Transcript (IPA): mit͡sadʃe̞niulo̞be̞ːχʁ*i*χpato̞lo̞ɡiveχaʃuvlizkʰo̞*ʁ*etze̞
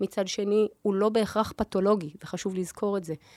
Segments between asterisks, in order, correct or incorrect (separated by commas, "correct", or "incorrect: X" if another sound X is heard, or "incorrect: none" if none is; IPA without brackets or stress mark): incorrect: a, correct